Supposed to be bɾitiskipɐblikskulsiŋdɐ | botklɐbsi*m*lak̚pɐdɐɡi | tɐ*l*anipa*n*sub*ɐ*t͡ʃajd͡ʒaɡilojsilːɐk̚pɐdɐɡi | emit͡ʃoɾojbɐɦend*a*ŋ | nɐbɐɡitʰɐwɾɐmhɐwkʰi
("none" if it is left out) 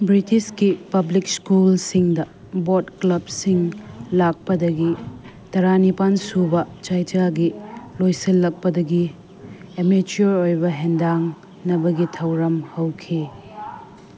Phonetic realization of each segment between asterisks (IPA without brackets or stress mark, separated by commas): ŋ, ɾ, n, ɐ, a